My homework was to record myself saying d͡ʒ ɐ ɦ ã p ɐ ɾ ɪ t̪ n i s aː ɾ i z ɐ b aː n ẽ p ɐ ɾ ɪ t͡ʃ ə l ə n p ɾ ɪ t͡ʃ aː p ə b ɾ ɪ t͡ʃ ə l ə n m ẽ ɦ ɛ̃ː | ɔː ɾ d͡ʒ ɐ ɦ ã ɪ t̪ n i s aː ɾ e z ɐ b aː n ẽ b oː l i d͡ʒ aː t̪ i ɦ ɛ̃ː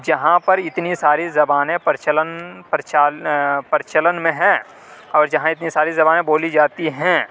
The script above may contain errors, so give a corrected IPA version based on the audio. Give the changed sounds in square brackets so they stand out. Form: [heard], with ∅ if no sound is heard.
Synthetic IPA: d͡ʒ ɐ ɦ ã p ɐ ɾ ɪ t̪ n i s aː ɾ i z ɐ b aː n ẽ p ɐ ɾ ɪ t͡ʃ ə l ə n p ɾ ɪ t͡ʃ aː p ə [∅] ɾ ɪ t͡ʃ ə l ə n m ẽ ɦ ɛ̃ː | ɔː ɾ d͡ʒ ɐ ɦ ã ɪ t̪ n i s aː ɾ [i] z ɐ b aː n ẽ b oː l i d͡ʒ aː t̪ i ɦ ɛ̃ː